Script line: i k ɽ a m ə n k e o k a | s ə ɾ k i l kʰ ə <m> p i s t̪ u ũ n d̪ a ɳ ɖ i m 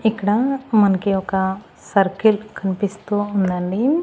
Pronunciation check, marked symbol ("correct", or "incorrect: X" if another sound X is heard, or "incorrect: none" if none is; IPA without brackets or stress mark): incorrect: n